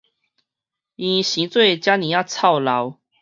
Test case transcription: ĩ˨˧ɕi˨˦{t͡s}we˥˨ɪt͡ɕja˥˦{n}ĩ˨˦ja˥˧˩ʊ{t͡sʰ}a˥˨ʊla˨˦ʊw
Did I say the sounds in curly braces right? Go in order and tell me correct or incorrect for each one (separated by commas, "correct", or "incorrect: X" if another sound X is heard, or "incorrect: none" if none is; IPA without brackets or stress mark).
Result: correct, correct, correct